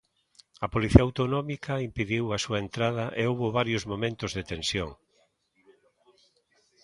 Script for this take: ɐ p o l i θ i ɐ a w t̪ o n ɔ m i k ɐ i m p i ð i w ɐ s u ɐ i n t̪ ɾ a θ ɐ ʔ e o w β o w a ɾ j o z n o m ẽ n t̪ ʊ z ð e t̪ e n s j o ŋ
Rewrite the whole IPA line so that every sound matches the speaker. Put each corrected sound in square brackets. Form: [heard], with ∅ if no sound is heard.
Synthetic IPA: ɐ p o l i θ i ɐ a w t̪ o n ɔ m i k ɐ i m p i ð i w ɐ s u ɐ [e] n t̪ ɾ a [ð] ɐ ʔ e o w β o [β] a ɾ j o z [m] o m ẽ n t̪ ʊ z ð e t̪ e n s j o ŋ